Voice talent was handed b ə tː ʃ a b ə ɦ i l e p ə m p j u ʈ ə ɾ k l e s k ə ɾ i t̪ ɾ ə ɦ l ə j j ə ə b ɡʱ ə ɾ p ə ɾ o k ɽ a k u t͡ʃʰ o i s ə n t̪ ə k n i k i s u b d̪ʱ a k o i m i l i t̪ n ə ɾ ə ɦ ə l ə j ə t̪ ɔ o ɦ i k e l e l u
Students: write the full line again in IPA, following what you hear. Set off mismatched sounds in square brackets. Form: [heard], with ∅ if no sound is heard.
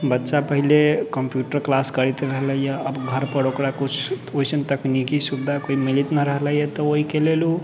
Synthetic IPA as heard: b ə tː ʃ a [p] ə ɦ i l e [k] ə m p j u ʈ ə ɾ k l [a] s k ə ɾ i t̪ ɾ ə ɦ l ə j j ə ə b ɡʱ ə ɾ p ə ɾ o k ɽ a k u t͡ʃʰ o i s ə n t̪ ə k n i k i s u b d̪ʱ a k o i m i l i t̪ n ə ɾ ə ɦ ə l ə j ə t̪ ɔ o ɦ i k e l e l u